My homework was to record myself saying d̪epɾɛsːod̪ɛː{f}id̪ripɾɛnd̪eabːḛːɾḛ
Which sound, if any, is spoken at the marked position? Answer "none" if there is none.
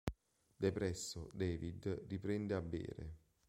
v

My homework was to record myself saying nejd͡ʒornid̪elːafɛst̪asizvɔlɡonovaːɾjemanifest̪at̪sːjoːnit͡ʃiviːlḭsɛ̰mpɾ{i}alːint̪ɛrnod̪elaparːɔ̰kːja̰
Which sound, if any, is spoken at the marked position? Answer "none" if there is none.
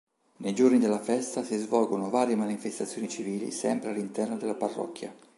e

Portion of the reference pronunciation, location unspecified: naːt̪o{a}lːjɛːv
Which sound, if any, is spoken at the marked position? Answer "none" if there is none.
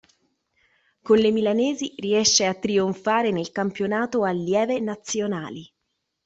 a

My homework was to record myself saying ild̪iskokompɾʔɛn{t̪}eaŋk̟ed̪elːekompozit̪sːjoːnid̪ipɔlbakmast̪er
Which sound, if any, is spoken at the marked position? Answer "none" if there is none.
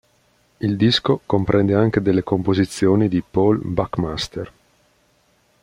d̪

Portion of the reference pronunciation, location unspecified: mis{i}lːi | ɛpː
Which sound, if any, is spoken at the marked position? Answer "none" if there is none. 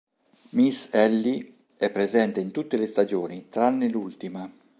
ɛ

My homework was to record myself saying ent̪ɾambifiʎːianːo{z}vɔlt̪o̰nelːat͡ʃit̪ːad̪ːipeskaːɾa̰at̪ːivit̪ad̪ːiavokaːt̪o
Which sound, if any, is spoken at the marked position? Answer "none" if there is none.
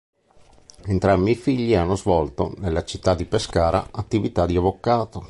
z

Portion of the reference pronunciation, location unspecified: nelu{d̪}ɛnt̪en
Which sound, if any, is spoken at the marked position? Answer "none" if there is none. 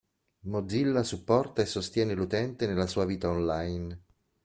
t̪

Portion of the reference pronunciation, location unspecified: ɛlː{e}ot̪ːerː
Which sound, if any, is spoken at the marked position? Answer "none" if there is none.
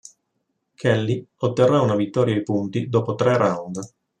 i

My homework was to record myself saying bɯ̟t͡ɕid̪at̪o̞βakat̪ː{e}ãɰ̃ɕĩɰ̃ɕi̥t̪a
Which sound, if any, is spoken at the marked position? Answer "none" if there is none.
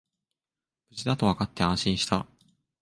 e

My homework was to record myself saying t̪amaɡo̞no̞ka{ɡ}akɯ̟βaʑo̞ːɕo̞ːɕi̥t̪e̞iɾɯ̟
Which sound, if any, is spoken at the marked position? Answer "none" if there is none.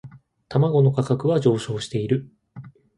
k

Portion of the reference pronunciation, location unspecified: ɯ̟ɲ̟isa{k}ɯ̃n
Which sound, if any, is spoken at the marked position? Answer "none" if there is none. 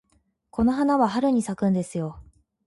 k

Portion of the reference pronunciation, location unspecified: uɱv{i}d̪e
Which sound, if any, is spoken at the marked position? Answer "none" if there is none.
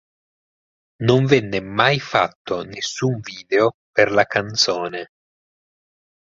iː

